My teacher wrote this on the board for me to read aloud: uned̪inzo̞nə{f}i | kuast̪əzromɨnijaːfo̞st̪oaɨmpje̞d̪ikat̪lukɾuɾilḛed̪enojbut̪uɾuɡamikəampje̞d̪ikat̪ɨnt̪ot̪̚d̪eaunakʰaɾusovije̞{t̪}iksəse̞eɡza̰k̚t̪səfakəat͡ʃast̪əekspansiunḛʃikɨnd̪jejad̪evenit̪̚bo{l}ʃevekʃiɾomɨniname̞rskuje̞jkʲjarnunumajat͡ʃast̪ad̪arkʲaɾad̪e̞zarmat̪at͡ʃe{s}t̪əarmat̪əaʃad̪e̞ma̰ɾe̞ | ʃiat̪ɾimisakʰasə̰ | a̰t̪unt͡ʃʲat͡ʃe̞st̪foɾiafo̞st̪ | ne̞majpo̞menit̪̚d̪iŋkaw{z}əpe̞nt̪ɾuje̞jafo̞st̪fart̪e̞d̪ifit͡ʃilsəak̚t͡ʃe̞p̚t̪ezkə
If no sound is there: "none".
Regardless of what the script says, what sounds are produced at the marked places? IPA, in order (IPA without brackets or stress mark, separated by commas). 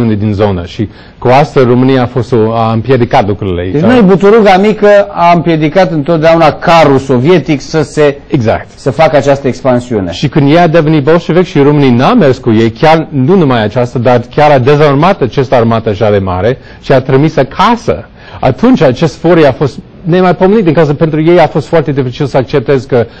ʃ, t̪, l, s, z